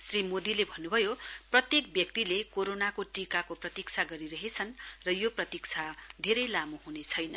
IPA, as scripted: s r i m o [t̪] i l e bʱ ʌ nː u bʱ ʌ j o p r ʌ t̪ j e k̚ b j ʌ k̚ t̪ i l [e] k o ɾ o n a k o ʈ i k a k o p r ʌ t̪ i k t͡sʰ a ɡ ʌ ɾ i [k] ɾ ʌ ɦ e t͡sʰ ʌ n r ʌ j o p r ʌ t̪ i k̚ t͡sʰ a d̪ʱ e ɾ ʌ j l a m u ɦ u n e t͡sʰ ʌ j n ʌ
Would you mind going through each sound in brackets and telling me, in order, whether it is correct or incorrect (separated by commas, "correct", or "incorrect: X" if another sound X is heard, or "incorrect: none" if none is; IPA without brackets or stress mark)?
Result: incorrect: d̪, correct, incorrect: none